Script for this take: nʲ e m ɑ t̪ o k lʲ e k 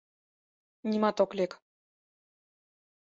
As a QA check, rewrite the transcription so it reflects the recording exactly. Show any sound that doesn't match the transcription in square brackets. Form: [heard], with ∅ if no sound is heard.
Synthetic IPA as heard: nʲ [i] m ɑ t̪ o k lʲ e k